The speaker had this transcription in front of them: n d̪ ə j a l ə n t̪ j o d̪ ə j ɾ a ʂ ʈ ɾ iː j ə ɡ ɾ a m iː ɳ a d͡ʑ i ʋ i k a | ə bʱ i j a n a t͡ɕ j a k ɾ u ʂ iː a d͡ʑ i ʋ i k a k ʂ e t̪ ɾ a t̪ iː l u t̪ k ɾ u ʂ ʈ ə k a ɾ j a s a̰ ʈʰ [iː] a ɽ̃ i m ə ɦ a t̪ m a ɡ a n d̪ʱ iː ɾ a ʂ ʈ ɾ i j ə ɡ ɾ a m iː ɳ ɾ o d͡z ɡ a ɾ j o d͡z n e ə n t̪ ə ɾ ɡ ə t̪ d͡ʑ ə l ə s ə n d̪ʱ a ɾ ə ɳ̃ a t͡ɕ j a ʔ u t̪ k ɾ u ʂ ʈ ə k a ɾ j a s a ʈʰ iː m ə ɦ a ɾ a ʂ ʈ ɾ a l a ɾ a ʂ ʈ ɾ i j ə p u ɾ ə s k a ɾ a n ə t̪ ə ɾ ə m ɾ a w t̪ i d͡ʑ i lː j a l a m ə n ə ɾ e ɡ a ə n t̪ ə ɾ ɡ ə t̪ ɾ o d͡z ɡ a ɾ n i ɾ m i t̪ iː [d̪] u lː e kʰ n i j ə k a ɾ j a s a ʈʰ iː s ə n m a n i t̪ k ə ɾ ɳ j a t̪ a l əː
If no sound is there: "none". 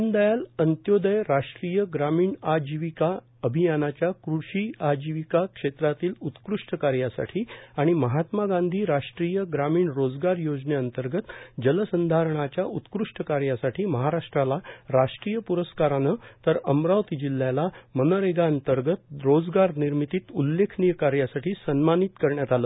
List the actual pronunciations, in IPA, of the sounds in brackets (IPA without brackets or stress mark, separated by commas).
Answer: iː, t̪